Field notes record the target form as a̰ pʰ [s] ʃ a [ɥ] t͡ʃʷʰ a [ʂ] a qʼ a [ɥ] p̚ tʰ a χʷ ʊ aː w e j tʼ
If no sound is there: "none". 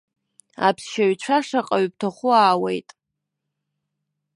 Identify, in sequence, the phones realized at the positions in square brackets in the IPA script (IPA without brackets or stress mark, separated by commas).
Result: s, ɥ, ʂ, ɥ